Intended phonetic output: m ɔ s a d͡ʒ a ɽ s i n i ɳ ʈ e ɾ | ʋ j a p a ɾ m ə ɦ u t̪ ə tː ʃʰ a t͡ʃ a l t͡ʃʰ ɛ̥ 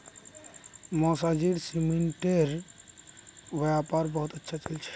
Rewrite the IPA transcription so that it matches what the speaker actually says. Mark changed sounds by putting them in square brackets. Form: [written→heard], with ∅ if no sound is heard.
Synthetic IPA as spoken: m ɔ s a d͡ʒ [a→i] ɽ s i [n→m] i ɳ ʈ e ɾ | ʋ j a p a ɾ [m→b] ə ɦ u t̪ ə tː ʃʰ a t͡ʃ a l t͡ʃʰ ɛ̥